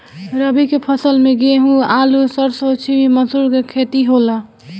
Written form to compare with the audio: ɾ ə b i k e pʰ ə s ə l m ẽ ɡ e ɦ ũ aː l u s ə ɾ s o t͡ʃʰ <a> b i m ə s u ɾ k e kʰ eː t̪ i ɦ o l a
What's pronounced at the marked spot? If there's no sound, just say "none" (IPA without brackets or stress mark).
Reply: i